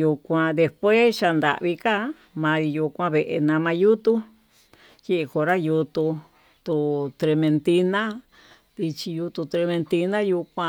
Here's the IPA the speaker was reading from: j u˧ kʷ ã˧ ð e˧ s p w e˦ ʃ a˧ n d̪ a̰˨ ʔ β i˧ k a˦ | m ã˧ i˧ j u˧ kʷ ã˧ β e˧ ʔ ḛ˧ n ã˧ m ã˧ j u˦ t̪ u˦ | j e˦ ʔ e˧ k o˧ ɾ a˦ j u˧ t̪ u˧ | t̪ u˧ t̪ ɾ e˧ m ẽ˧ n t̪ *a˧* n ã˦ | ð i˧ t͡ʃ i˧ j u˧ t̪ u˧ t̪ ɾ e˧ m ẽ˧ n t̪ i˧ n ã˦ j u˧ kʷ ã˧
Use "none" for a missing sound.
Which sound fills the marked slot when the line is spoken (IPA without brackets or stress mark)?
i˧